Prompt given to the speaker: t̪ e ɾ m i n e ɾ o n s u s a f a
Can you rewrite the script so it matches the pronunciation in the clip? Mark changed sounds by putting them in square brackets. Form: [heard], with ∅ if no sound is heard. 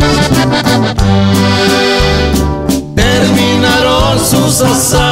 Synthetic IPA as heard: t̪ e ɾ m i n [a] ɾ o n s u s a [s] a